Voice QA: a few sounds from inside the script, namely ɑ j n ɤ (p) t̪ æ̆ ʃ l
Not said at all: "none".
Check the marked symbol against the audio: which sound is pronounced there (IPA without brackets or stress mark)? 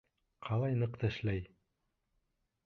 q